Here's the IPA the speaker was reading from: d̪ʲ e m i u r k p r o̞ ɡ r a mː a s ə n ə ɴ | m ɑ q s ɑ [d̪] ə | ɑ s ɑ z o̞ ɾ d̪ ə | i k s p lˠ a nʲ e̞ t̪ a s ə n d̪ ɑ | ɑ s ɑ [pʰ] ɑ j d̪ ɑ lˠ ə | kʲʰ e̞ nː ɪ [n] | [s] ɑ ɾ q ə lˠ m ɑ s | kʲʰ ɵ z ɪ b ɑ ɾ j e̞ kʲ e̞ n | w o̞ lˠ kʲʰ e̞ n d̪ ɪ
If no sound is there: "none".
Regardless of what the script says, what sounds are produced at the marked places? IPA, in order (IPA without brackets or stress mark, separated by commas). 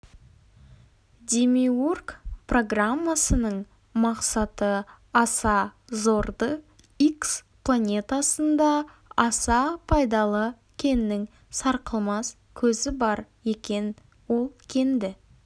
t̪, pʰ, ŋ, s